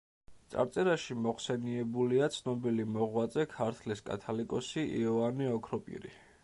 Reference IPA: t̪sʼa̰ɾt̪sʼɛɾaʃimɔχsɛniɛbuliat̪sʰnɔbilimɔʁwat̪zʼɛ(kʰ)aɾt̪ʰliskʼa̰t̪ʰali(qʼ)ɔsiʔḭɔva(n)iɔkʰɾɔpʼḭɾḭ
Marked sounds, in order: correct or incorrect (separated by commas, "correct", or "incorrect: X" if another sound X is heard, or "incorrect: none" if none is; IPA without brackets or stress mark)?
correct, incorrect: kʼ, correct